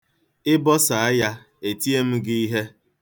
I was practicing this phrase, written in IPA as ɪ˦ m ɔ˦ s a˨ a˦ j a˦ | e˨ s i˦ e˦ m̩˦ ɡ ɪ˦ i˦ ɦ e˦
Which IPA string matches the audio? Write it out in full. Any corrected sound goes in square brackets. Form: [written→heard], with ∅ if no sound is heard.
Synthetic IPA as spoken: ɪ˦ [m→b] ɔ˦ s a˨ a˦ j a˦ | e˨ [s→t] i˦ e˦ m̩˦ ɡ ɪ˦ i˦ ɦ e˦